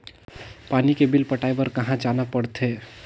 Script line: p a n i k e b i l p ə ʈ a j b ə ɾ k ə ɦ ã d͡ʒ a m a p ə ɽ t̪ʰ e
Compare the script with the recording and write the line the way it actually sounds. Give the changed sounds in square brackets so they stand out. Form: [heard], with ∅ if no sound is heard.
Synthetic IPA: p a n i k e b i l p ə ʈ a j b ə ɾ k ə ɦ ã d͡ʒ a [n] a p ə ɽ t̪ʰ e